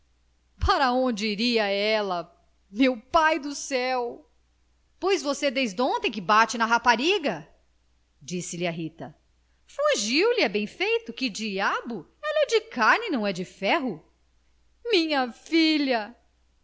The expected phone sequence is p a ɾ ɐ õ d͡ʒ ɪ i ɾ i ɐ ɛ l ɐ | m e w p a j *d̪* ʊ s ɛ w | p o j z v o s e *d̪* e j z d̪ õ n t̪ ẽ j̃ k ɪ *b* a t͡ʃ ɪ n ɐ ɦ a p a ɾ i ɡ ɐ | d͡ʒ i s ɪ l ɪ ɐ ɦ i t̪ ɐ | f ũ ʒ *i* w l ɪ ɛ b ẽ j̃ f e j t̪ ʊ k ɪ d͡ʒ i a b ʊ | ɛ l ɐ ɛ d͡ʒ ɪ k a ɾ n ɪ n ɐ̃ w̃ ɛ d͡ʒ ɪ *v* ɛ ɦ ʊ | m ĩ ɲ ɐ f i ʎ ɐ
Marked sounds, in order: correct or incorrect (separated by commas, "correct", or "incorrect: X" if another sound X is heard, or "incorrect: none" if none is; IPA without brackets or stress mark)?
correct, correct, correct, correct, incorrect: f